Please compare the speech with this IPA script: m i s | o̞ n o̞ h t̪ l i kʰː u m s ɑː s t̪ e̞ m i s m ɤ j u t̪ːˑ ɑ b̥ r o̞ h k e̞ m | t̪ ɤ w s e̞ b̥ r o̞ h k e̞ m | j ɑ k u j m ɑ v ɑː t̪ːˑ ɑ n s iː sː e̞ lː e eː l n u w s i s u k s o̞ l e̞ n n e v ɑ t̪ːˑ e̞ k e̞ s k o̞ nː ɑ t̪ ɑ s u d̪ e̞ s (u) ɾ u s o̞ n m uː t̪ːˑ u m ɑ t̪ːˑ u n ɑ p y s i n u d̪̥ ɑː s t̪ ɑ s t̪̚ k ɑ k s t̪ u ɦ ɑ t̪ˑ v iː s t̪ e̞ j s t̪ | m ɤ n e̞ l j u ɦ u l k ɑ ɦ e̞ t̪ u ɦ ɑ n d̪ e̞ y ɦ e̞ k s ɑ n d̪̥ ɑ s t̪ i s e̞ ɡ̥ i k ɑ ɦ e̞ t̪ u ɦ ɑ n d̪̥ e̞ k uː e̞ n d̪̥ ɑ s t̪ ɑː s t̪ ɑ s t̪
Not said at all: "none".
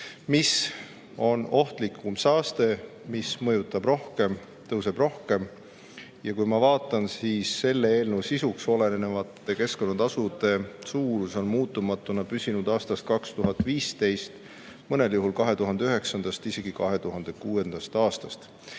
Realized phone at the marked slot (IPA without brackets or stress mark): uː